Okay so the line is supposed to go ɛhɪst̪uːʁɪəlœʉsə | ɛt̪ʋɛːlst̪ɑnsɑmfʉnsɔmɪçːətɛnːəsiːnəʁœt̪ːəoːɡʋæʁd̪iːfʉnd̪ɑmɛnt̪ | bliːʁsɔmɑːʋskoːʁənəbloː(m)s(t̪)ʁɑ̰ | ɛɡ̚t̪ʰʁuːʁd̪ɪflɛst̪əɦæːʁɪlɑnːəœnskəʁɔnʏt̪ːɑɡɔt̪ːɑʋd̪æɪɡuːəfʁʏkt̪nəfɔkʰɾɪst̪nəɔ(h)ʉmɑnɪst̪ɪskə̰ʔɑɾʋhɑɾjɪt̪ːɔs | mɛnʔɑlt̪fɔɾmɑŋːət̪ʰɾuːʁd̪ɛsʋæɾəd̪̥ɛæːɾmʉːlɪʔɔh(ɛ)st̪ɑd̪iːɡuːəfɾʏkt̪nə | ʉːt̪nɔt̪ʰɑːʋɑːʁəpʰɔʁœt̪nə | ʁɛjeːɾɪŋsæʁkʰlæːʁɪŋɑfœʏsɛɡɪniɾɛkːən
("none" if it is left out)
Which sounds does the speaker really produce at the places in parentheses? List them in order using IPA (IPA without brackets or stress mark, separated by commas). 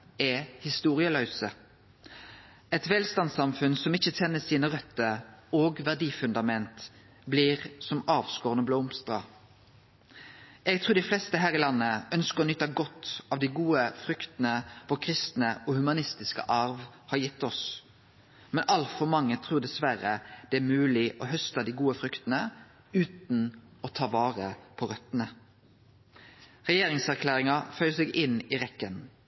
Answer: m, t̪, h, œ